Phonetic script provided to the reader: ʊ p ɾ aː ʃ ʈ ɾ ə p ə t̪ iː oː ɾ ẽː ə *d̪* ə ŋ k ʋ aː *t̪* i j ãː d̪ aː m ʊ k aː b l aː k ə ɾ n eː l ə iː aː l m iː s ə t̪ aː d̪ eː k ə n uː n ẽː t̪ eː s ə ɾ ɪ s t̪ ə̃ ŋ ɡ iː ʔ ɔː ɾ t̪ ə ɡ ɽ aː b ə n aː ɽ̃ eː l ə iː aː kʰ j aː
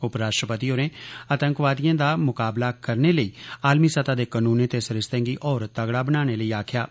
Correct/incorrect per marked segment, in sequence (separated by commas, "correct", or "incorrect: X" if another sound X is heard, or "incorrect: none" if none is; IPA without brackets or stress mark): incorrect: t̪, incorrect: d̪